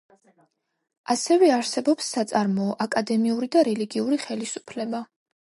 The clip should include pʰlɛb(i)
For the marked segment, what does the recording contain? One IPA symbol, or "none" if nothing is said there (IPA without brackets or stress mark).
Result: a